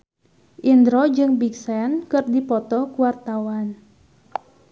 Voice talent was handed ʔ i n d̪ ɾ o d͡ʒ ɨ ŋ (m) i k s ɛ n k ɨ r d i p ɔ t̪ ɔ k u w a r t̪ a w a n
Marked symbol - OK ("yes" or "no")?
no